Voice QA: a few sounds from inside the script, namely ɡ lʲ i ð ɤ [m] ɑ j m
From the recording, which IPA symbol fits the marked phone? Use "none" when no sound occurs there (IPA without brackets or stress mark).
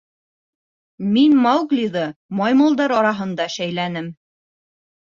m